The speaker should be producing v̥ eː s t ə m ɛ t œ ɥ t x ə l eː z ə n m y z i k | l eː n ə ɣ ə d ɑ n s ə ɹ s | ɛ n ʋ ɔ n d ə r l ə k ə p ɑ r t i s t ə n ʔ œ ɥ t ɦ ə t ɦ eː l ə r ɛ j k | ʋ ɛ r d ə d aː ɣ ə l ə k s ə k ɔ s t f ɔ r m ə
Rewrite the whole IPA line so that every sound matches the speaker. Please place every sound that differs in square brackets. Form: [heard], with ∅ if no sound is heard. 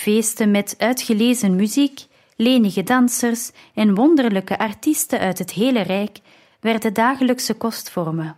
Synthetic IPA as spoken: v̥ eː s t ə m ɛ t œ ɥ t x ə l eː z ə n m y z i k | l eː n ə ɣ ə d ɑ n s ə [r] s | ɛ n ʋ ɔ n d ə r l ə k ə [ʔ] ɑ r t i s t ə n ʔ œ ɥ t ɦ ə t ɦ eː l ə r ɛ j k | ʋ ɛ r d ə d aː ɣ ə l ə k s ə k ɔ s t f ɔ r m ə